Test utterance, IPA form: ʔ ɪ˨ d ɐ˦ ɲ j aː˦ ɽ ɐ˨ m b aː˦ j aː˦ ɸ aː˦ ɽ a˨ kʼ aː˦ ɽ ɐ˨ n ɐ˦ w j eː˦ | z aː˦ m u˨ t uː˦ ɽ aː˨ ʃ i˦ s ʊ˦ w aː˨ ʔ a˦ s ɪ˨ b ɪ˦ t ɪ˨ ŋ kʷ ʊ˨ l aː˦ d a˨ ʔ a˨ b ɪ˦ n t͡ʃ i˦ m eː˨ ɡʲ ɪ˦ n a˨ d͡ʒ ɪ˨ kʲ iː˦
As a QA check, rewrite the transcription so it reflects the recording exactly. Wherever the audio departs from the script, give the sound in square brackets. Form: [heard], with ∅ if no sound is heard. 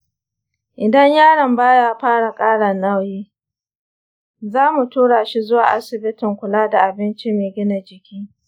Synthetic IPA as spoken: ʔ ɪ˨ d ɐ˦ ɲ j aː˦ ɽ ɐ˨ m b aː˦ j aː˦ ɸ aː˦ ɽ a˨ kʼ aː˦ ɽ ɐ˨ n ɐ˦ w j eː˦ | z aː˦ m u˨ t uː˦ ɽ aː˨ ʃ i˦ [z] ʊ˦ w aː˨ ʔ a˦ s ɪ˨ b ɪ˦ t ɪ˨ ŋ kʷ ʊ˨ l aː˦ d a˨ ʔ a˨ b ɪ˦ n t͡ʃ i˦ m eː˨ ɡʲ ɪ˦ n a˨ d͡ʒ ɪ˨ kʲ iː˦